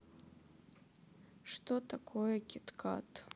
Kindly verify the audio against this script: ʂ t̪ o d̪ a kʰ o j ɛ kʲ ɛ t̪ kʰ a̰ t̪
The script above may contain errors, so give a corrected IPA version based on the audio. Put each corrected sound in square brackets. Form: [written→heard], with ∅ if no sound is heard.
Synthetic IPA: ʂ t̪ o [d̪→t̪] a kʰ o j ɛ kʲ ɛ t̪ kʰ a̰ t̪